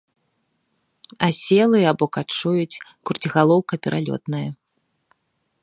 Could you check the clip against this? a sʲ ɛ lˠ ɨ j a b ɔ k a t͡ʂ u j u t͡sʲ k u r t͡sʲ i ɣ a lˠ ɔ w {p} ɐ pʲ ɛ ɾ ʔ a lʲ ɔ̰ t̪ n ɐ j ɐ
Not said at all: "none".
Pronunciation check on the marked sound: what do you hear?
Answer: k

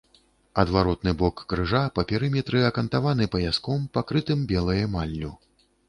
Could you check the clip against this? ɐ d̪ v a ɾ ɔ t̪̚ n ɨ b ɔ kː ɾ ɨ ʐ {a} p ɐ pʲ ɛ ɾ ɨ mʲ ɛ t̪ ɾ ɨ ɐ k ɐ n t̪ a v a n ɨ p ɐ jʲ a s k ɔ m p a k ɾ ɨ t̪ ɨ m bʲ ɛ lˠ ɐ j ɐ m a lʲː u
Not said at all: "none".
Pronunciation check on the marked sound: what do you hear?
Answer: a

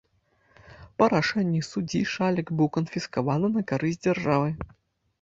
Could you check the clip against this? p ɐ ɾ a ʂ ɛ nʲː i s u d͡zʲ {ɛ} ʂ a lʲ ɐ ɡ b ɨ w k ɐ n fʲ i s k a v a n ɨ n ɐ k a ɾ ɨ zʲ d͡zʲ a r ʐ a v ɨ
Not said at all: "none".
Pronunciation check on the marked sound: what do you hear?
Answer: i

